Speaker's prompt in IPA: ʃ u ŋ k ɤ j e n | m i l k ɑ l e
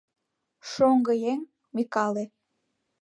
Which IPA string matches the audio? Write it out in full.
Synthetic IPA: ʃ o ŋ ɡ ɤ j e ŋ | m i k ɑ l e

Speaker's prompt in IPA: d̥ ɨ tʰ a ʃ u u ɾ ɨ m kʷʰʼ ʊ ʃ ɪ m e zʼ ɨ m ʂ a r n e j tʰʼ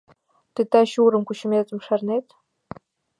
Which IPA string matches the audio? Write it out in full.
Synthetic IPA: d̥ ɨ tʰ a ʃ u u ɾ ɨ m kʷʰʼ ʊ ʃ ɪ m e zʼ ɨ m ʂ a r n e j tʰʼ

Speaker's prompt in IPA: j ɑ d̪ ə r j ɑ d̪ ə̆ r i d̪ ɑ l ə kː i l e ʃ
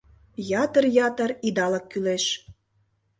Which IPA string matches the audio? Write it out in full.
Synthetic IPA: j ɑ t̪ ə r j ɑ t̪ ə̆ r i d̪ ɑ l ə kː y l e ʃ

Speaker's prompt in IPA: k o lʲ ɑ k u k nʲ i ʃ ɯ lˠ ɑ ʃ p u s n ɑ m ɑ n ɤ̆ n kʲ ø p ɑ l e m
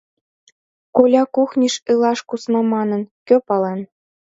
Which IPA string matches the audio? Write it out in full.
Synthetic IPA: k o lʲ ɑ k u x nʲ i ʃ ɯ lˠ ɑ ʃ k u s n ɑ m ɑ n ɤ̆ n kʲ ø p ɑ l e n

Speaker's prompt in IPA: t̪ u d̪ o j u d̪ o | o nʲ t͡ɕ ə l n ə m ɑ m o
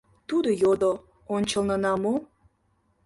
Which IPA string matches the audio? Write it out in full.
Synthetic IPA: t̪ u d̪ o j o d̪ o | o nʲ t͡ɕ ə l n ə n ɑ m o

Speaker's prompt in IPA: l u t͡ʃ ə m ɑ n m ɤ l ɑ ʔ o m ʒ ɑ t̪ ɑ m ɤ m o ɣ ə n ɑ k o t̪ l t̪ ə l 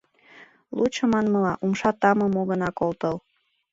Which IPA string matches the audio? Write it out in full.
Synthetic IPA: l u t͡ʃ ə m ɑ n m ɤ l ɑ ʔ u m ʃ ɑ t̪ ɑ m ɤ m o ɣ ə n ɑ k o l t̪ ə l

